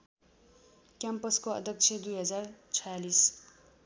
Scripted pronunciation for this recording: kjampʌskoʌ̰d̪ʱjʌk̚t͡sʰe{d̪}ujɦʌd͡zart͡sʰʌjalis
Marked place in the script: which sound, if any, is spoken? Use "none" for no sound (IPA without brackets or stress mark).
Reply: d̪